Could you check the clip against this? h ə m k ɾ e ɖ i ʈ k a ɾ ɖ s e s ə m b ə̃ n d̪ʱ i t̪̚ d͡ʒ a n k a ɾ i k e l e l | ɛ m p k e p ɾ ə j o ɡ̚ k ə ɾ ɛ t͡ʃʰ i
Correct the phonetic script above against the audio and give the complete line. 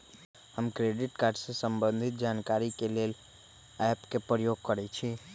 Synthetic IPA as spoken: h ə m k ɾ e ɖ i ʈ k a ɾ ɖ s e s ə m b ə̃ n d̪ʱ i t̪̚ d͡ʒ a n k a ɾ i k e l e l | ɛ p k e p ɾ ə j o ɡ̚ k ə ɾ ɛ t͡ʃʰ i